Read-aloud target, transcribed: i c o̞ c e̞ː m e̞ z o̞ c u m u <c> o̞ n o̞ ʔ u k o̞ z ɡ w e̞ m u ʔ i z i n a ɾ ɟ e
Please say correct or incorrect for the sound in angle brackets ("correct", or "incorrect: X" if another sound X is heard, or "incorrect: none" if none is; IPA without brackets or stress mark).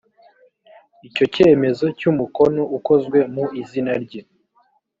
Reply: incorrect: k